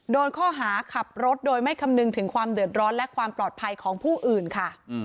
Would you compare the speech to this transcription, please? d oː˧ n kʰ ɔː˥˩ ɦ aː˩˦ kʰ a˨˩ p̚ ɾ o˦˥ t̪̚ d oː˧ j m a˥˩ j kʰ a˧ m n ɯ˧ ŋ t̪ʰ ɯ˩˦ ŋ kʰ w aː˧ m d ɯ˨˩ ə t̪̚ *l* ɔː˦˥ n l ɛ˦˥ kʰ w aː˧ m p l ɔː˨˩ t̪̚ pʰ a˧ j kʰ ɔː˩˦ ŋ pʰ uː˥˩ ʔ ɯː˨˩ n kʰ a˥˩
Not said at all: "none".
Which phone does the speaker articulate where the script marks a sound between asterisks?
ɾ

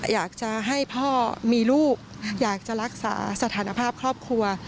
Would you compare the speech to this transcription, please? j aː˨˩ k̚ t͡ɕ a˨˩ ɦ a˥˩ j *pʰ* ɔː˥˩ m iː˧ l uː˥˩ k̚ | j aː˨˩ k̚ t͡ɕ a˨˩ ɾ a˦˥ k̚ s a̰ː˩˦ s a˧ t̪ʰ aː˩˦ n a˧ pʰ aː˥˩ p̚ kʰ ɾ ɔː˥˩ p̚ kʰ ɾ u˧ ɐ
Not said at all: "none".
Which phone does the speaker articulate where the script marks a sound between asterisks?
pʰ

